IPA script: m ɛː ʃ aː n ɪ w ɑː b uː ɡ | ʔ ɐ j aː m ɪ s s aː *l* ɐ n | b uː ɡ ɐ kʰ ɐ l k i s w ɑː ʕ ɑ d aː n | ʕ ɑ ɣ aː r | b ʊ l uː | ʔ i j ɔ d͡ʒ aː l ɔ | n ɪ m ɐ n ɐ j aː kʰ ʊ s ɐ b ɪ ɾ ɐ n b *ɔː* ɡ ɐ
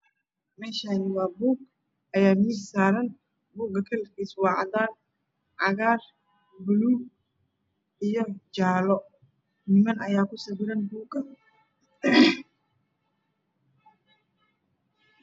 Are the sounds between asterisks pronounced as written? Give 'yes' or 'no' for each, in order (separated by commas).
no, no